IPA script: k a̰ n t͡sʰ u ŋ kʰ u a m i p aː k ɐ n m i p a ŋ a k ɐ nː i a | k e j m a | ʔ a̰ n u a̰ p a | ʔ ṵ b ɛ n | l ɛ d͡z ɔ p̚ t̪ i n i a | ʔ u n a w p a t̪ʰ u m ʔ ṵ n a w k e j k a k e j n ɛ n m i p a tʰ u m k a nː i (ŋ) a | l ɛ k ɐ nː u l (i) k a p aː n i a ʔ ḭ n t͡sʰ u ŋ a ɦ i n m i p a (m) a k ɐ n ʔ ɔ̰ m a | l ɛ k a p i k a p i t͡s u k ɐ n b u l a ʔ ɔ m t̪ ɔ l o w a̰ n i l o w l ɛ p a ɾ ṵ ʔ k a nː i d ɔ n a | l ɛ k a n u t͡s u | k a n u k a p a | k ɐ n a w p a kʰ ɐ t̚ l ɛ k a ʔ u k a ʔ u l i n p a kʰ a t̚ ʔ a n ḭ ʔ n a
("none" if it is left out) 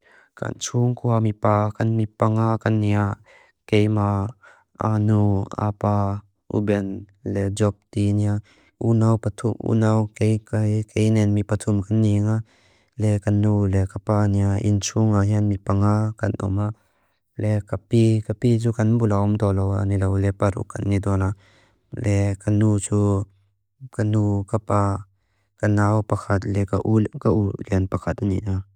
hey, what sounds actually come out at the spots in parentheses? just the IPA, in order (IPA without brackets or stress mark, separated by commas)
ŋ, ɛ, ŋ